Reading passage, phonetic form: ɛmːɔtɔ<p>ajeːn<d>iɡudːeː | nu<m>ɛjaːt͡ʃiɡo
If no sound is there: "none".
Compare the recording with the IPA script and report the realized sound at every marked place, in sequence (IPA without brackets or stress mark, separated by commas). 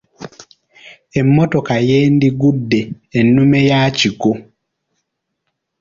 k, d, m